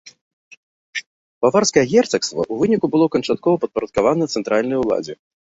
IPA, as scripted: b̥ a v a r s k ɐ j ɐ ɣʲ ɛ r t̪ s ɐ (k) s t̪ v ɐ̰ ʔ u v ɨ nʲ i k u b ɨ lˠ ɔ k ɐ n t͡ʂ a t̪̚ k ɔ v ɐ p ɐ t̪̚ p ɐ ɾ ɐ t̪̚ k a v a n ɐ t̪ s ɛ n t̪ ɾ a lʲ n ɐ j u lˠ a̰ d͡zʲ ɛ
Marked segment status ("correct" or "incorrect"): correct